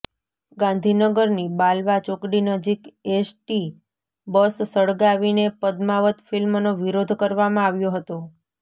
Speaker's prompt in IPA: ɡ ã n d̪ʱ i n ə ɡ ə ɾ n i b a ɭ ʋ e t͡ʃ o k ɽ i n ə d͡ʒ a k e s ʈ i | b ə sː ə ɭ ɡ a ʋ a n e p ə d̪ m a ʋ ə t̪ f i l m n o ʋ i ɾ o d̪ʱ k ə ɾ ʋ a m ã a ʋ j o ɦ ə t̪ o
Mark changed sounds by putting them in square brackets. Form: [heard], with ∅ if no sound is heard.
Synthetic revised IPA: ɡ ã n d̪ʱ i n ə ɡ ə ɾ n i b a [l] ʋ [a] t͡ʃ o k ɽ i n ə d͡ʒ [i] k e s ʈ i | b ə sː ə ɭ ɡ a ʋ [i] n e p ə d̪ m a ʋ ə t̪ f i l m n o ʋ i ɾ o d̪ʱ k ə ɾ ʋ a m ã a ʋ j o ɦ ə t̪ o